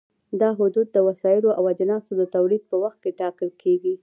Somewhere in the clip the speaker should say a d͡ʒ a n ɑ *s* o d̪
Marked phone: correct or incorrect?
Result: correct